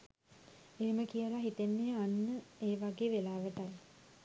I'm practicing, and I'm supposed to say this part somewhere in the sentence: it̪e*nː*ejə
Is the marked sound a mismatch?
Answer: no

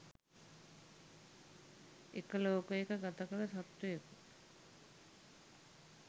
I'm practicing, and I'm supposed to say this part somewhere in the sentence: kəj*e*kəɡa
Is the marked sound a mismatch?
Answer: no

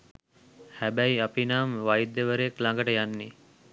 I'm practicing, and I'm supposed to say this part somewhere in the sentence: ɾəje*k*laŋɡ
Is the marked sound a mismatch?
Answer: no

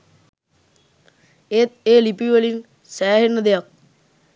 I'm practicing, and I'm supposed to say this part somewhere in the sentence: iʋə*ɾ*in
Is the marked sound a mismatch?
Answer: yes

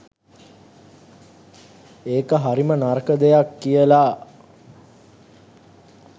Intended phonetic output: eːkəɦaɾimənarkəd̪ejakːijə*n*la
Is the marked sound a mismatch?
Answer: yes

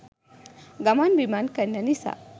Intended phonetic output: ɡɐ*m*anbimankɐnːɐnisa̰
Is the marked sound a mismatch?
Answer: no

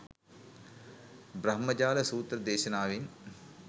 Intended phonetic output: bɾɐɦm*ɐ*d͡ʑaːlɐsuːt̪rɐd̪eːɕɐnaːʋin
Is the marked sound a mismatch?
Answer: no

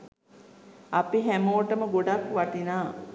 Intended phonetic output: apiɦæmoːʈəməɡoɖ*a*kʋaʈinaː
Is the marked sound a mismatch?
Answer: no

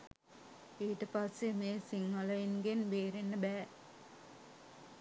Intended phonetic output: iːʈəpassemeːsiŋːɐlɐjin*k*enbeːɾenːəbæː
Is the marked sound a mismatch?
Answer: yes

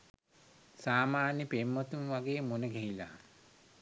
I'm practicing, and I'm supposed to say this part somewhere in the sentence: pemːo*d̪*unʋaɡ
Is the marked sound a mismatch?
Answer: yes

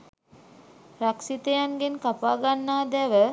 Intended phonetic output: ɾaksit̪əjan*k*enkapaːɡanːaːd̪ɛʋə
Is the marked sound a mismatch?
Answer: yes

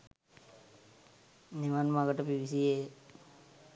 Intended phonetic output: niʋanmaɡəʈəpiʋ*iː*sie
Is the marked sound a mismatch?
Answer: yes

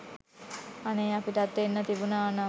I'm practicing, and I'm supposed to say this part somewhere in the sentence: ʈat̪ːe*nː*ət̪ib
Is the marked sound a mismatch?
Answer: no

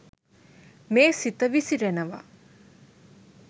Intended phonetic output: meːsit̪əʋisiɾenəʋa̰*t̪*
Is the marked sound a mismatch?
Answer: yes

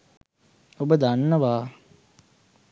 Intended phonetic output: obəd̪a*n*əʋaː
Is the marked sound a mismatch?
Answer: yes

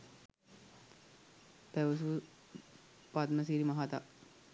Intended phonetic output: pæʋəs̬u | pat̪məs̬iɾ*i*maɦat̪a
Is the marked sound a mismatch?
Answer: no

